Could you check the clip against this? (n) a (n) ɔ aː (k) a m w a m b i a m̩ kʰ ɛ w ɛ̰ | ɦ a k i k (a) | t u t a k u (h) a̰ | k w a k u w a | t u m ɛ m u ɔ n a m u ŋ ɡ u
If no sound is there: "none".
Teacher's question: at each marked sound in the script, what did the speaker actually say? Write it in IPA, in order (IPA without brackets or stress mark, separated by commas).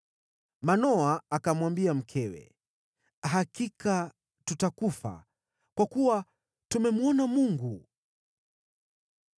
m, n, k, a, f